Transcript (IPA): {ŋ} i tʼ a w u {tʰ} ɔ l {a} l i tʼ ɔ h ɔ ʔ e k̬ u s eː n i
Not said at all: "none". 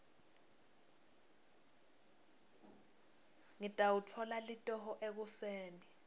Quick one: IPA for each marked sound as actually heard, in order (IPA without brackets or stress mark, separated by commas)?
ŋ, tʰ, a